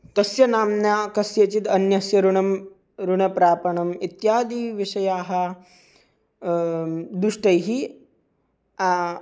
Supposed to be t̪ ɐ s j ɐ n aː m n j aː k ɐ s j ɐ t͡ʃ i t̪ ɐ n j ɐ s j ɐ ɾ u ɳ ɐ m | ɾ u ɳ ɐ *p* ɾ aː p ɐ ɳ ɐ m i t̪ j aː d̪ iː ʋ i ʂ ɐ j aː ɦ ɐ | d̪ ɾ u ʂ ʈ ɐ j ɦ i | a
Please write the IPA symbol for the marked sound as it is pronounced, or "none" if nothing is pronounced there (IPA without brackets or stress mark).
p